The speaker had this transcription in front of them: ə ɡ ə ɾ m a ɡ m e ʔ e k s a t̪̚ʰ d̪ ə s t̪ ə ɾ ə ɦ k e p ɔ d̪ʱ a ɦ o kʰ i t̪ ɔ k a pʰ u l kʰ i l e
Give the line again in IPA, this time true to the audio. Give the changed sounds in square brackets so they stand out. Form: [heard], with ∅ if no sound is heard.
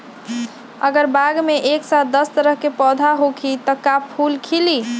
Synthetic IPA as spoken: ə ɡ ə ɾ [b] a ɡ m e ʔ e k s a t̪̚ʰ d̪ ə s t̪ ə ɾ ə ɦ k e p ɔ d̪ʱ a ɦ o kʰ i t̪ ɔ k a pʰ u l kʰ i l [i]